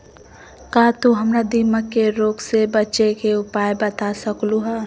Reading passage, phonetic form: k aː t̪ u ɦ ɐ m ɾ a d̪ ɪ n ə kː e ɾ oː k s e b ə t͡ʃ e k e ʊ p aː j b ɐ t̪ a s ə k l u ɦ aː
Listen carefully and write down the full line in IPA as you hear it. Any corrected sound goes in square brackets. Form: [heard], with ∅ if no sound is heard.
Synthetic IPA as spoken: k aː t̪ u ɦ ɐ m ɾ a d̪ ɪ [m] ə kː e ɾ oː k s e b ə t͡ʃ e k e ʊ p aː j b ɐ t̪ a s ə k l u ɦ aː